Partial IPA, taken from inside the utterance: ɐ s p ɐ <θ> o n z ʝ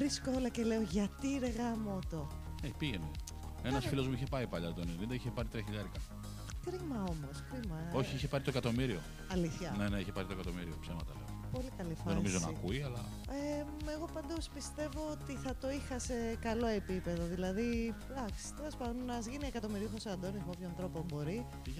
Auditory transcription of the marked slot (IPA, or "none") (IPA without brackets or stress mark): ð